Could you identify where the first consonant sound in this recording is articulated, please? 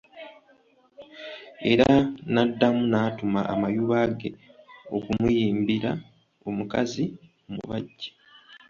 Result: alveolar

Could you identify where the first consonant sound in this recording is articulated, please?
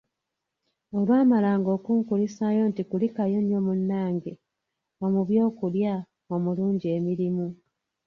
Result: alveolar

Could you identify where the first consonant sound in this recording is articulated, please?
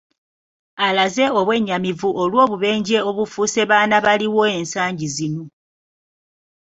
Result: alveolar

